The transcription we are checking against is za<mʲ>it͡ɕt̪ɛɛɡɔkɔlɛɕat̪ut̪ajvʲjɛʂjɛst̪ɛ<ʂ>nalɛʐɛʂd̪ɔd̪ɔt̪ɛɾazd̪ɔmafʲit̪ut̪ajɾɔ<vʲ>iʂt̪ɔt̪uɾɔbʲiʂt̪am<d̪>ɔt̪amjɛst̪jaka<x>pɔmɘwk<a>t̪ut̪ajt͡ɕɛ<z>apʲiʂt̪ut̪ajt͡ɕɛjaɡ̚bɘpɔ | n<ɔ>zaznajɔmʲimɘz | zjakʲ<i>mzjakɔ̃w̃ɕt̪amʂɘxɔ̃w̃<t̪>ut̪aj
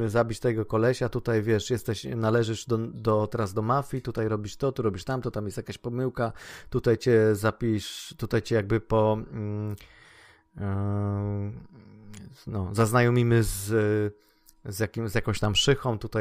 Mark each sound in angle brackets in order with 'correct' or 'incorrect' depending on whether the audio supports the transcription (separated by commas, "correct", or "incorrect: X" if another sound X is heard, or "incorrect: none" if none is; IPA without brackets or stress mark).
incorrect: bʲ, incorrect: ɕ, incorrect: bʲ, incorrect: t̪, incorrect: ɕ, correct, correct, correct, correct, correct